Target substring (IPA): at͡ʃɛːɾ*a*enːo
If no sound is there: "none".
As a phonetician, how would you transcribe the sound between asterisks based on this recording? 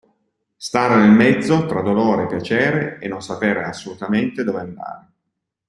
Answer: e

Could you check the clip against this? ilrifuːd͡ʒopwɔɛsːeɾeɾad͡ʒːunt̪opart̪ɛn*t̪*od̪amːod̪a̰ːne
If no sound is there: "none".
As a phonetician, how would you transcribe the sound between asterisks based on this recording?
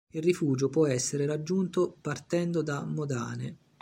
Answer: d̪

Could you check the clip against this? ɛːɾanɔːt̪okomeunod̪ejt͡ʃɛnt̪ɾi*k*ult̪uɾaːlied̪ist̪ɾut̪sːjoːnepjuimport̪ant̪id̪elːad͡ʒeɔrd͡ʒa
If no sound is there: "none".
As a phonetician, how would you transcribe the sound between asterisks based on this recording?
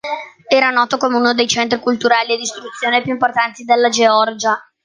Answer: k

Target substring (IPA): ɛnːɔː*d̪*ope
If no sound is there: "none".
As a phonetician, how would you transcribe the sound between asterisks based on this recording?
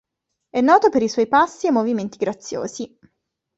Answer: t̪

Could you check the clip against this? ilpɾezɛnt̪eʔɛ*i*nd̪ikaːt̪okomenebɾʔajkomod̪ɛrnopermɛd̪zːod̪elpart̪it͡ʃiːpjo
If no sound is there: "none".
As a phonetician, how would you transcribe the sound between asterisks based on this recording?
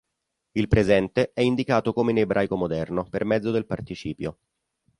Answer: i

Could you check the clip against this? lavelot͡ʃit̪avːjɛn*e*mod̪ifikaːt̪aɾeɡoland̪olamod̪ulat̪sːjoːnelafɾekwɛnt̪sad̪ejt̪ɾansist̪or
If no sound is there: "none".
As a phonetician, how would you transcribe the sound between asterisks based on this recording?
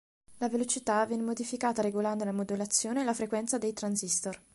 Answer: e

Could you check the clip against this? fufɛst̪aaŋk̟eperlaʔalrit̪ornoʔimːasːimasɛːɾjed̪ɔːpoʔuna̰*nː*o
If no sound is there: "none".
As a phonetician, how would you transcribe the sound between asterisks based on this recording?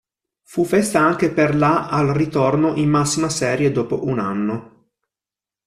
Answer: nː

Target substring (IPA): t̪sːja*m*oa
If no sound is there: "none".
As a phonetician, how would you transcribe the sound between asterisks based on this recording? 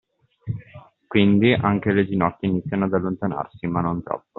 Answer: n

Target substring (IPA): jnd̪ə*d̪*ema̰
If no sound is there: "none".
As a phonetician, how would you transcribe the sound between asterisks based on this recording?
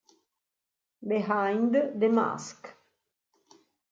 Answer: d̪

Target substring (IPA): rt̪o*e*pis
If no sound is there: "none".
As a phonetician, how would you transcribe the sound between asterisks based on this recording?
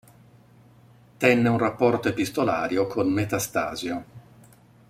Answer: e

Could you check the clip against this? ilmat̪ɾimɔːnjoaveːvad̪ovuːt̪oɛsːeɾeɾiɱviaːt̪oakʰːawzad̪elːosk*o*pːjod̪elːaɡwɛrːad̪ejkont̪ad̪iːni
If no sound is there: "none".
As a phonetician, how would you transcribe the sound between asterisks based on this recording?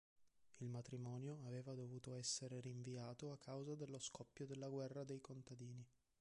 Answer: ɔ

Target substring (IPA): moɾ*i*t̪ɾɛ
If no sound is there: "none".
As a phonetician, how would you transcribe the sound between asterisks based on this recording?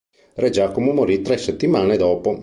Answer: i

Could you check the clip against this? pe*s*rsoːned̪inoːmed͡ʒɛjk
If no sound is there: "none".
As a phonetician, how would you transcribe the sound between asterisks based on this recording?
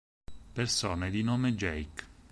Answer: none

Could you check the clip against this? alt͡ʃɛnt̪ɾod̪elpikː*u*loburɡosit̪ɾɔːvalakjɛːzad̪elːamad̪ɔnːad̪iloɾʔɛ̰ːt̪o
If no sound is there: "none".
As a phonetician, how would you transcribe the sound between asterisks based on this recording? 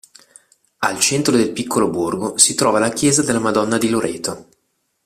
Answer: o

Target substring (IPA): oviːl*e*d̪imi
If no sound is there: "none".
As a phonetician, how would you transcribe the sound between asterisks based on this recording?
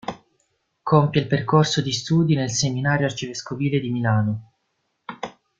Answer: e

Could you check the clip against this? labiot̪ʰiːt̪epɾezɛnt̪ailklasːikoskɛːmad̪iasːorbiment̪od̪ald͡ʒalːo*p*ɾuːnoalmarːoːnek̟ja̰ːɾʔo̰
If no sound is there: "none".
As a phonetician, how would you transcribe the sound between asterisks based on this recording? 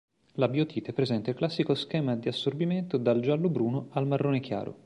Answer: b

